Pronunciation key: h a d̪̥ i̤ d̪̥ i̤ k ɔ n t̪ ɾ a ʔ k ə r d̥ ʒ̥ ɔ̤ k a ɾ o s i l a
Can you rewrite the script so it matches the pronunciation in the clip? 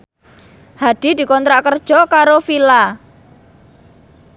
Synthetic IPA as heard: h a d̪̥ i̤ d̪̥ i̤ k ɔ n t̪ ɾ a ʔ k ə r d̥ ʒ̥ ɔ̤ k a ɾ o f i l a

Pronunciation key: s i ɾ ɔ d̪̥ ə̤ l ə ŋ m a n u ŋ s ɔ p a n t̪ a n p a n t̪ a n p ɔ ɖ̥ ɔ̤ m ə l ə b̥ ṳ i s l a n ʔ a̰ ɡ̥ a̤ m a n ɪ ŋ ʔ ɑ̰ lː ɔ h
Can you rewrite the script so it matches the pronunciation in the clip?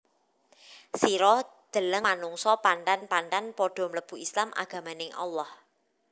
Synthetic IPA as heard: s i ɾ ɔ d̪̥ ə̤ l ə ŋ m a n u ŋ s ɔ p a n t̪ a n p a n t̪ a n p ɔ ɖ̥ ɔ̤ m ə l ə b̥ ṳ i s l a m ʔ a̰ ɡ̥ a̤ m a n ɪ ŋ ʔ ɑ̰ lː ɔ h

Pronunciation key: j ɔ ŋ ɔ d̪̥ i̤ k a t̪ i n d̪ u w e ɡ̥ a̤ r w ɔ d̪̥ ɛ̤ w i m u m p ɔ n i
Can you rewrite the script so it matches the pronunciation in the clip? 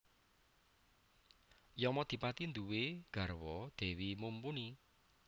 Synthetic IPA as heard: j ɔ m ɔ d̪̥ i̤ p a t̪ i n d̪ u w e ɡ̥ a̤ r w ɔ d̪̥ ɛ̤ w i m u m p u n i

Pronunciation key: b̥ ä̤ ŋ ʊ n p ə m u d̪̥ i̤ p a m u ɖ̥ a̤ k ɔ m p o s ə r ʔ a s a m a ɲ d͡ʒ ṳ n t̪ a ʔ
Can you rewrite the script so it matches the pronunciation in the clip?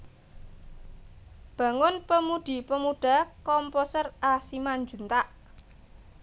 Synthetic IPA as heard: b̥ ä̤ ŋ ʊ n p ə m u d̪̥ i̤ p ə m u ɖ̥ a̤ k ɔ m p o s ə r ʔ a s i m a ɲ d͡ʒ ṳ n t̪ a ʔ

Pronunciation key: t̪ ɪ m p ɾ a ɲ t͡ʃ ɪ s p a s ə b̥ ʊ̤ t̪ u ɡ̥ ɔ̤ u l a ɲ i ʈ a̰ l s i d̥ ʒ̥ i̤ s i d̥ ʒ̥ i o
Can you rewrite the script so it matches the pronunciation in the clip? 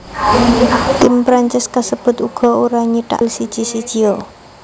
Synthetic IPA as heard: t̪ ɪ m p ɾ a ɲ t͡ʃ ɪ s k a s ə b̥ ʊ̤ t̪ u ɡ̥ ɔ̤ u ɾ a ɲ i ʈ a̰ l s i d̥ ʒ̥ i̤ s i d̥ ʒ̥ i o

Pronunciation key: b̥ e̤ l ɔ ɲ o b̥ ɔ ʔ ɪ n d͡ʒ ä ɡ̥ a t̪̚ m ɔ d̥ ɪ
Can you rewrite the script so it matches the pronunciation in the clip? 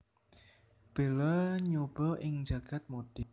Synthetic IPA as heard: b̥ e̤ l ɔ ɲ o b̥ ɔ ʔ ɪ ŋ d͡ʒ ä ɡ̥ a t̪̚ m o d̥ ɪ

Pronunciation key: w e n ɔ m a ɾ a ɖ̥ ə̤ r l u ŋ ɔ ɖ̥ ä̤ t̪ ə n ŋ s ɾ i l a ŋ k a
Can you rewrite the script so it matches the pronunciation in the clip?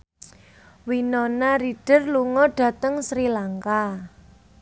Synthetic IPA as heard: w i n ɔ n a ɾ i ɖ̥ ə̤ r l u ŋ ɔ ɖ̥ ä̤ t̪ ə ŋ s ɾ i l a ŋ k a

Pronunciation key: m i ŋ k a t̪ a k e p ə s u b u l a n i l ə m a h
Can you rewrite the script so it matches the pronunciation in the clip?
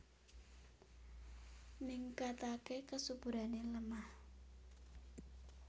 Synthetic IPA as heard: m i ŋ k a t̪ a k e k ə s u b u ɾ a n e l ə m a h

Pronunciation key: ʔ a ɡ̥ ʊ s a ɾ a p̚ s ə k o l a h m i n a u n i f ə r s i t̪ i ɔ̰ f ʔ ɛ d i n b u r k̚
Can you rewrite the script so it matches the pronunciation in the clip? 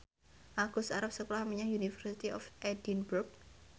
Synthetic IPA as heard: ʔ a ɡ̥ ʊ s a ɾ a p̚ s ə k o l a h m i ɲ a u n i f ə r s i t̪ i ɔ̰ f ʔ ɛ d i n b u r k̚

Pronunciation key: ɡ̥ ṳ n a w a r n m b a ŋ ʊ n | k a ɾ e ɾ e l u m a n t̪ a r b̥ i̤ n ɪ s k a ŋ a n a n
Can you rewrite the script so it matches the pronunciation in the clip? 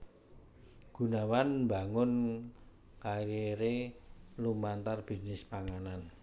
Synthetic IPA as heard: ɡ̥ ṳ n a w a n m b a ŋ ʊ n | k a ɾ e ɾ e l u m a n t̪ a r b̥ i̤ n ɪ s p a ŋ a n a n

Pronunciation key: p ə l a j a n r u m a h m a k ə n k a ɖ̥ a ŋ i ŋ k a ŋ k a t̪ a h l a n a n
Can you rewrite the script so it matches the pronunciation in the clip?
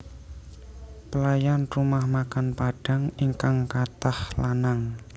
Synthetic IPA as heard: p ə l a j a n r u m a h m a k a n p a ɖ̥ a ŋ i ŋ k a ŋ k a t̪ a h l a n a ŋ

